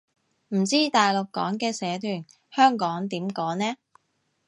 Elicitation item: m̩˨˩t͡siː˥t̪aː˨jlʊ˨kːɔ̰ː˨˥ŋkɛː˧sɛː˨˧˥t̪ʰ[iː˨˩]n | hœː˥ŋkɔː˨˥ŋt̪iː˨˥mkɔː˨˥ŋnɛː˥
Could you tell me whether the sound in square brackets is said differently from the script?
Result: yes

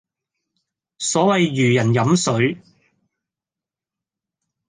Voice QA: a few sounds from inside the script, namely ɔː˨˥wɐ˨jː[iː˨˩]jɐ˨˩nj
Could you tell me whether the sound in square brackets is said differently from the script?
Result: yes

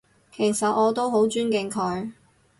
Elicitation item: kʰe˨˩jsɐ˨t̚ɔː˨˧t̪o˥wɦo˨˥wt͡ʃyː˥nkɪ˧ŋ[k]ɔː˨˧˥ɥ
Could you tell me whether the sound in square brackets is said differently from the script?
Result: yes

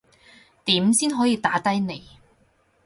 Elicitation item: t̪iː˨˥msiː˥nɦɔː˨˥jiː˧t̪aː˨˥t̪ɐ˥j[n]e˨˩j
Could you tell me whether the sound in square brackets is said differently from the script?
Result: no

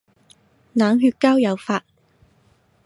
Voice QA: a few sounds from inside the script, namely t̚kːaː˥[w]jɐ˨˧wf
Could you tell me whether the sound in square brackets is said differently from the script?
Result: no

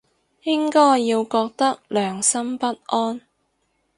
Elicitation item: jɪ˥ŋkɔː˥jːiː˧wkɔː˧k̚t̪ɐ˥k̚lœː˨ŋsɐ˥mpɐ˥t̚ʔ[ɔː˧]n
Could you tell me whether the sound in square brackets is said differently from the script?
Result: yes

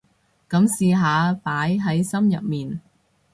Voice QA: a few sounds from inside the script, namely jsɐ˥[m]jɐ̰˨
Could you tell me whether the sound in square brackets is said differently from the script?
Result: no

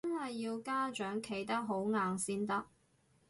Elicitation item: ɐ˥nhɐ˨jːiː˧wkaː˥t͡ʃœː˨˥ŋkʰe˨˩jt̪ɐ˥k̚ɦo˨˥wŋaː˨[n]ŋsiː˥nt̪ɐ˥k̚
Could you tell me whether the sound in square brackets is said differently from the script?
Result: yes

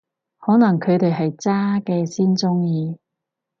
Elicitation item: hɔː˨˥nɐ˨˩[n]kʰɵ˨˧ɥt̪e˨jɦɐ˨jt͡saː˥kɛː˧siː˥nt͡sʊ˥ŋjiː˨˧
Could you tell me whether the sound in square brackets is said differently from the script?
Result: yes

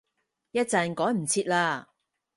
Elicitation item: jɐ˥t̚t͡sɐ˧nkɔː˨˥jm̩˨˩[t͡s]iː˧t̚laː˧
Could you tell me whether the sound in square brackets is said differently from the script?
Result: yes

